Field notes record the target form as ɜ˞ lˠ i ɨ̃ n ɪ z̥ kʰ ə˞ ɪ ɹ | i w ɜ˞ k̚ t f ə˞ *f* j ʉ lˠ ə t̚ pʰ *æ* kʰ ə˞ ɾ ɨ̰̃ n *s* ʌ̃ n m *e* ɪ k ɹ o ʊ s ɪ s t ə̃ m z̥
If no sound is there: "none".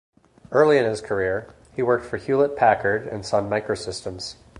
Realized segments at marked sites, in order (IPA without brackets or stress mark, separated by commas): h, æ, s, a